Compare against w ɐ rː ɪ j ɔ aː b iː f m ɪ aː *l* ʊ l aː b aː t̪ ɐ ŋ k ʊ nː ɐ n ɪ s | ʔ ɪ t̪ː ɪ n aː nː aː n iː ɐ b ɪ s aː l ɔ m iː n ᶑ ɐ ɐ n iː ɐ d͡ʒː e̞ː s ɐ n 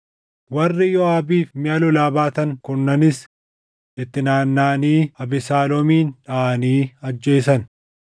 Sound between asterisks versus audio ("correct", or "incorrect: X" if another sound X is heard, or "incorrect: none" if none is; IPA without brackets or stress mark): correct